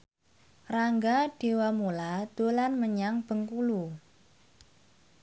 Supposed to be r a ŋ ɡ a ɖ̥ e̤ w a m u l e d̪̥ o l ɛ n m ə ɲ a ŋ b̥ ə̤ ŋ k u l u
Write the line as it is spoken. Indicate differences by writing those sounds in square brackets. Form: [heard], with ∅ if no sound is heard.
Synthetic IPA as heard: r a ŋ ɡ a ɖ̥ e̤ w a m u l [a] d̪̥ o l [a] n m ə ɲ a ŋ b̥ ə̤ ŋ k u l u